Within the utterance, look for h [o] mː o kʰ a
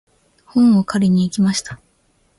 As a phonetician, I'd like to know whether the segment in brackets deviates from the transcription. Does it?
yes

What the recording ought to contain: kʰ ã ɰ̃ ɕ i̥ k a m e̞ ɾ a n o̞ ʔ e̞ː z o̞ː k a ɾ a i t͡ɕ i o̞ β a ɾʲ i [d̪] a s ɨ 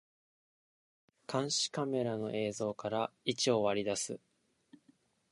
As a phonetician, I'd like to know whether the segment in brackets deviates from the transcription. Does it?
no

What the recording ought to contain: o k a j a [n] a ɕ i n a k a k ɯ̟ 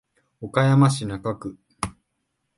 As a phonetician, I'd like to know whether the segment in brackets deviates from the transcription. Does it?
yes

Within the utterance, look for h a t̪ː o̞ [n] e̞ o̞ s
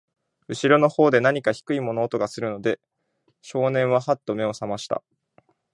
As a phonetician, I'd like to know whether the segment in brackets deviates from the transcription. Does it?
yes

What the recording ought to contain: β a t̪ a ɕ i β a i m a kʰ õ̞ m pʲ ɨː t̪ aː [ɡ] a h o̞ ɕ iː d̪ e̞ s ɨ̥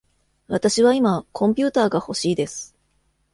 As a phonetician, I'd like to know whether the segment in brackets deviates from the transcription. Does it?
no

